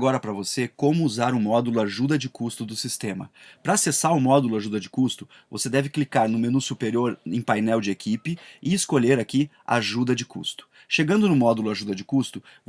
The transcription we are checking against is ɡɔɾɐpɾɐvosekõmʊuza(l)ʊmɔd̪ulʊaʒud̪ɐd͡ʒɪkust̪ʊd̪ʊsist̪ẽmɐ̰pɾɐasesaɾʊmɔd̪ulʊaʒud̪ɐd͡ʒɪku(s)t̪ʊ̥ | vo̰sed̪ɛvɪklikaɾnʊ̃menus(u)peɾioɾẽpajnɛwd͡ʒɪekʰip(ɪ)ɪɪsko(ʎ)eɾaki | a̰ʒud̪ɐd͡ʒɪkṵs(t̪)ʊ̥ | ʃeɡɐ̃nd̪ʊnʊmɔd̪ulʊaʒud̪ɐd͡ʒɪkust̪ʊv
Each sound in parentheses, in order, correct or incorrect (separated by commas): incorrect, correct, correct, correct, correct, correct